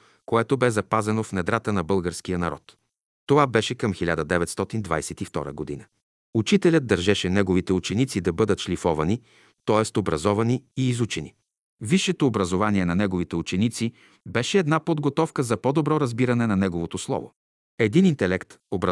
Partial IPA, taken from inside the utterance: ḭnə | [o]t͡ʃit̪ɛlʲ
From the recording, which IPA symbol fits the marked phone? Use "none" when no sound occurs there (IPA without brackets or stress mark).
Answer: u